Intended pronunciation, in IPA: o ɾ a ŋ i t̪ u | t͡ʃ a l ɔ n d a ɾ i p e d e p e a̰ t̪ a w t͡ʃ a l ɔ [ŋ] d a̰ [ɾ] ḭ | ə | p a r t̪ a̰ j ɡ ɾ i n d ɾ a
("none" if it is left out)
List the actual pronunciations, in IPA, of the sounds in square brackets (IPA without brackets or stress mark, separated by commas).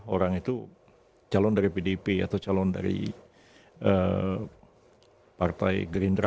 n, ɾ